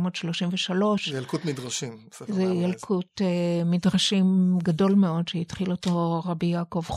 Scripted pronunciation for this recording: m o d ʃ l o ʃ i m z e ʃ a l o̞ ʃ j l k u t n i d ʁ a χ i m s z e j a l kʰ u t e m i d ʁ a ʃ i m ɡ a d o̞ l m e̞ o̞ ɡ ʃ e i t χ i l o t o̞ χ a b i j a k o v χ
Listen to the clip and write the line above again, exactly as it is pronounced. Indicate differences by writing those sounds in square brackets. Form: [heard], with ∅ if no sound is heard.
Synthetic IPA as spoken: m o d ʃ l o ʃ i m [v] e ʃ a l o̞ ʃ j l k u t [m] i d ʁ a [ʃ] i m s z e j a l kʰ u t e m i d ʁ a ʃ i m ɡ a d o̞ l m e̞ o̞ [d] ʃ e i t χ i l o t o̞ [ʁ] a b i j a k o v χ